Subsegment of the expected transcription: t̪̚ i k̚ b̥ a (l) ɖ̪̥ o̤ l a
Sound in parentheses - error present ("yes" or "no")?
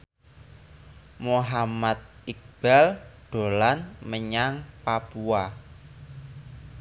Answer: no